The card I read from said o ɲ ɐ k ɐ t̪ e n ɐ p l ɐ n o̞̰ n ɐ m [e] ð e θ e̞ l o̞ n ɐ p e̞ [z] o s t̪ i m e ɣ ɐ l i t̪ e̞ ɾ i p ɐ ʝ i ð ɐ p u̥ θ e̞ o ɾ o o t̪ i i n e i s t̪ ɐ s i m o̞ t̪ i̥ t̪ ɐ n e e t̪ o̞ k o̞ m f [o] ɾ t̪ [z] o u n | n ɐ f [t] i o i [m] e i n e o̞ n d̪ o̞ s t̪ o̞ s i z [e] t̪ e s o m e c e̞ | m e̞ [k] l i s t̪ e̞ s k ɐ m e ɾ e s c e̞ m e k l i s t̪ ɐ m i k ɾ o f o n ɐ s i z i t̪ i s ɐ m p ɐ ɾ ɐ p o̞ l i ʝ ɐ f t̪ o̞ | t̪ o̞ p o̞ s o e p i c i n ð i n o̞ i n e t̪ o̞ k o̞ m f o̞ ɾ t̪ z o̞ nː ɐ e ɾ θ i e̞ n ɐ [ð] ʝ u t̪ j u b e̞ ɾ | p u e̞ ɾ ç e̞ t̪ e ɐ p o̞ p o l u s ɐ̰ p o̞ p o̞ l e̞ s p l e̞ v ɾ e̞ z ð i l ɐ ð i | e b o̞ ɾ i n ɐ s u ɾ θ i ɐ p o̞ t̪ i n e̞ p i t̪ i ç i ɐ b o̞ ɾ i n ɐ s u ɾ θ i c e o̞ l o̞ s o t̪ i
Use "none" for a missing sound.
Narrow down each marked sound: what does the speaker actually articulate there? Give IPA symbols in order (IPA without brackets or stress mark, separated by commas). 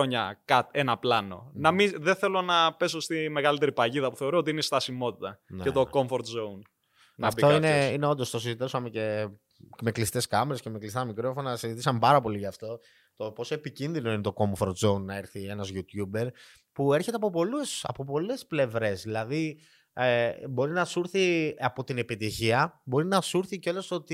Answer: i, s, o, z, t, n, i, k, z